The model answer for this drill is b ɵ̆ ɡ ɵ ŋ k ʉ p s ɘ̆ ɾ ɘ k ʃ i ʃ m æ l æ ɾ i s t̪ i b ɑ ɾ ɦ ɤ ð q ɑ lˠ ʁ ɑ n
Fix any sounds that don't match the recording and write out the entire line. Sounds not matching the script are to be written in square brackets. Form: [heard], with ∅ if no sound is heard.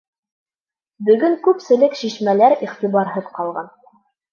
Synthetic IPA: b ɵ̆ ɡ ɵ ŋ k ʉ p s ɘ̆ [l] ɘ k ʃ i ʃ m æ l æ ɾ i [χ] t̪ i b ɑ ɾ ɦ ɤ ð q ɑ lˠ ʁ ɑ n